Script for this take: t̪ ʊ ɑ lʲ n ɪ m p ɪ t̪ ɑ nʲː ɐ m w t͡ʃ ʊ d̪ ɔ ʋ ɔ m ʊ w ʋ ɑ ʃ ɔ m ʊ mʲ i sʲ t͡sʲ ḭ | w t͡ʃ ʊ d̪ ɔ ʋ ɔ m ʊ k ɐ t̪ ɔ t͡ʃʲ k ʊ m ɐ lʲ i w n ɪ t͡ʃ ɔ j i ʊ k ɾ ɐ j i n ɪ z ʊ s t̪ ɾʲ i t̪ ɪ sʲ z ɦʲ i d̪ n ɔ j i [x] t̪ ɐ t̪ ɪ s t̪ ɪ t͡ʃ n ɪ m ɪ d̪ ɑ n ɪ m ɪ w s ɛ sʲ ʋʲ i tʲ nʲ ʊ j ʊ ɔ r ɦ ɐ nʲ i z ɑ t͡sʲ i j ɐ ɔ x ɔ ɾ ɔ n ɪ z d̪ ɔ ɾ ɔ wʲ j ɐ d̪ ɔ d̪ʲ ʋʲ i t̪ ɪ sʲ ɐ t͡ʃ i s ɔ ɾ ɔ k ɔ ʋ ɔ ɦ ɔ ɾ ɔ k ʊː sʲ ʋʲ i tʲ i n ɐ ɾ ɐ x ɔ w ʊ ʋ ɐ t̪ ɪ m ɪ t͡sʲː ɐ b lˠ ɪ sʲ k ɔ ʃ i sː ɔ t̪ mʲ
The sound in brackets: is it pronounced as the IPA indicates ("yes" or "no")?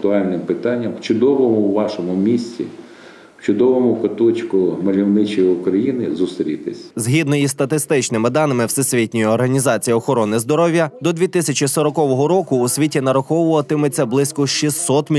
no